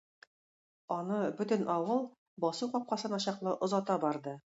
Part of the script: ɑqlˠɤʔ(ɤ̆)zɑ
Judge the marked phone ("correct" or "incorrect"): incorrect